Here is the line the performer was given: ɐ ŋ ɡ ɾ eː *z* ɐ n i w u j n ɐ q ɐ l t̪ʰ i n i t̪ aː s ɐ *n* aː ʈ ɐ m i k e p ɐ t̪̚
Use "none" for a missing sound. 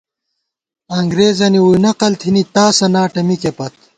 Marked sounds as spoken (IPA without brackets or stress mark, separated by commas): z, n